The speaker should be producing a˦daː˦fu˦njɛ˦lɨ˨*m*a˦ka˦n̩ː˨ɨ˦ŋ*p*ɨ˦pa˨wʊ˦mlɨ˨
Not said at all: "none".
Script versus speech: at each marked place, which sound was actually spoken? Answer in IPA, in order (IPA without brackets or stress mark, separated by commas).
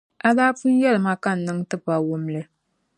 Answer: m, t